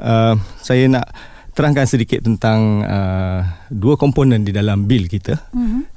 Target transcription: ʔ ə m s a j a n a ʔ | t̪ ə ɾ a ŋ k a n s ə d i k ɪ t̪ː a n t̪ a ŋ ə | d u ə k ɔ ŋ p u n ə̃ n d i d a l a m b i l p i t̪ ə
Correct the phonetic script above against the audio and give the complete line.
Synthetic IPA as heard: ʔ ə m s a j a n a ʔ | t̪ ə ɾ a ŋ k a n s ə d i k ɪ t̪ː ə n t̪ a ŋ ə | d u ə k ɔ m p o n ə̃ n d i d a l a m b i l k i t̪ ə